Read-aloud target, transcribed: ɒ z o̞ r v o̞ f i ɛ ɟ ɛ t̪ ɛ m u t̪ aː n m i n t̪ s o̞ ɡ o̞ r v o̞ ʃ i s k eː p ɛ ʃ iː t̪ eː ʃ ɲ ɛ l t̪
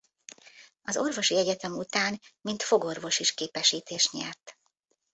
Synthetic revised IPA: ɒ z o̞ r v o̞ ʃ i ɛ ɟ ɛ t̪ ɛ m u t̪ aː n m i n t̪ f o̞ ɡ o̞ r v o̞ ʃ i ʃ k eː p ɛ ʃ iː t̪ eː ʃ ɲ ɛ r t̪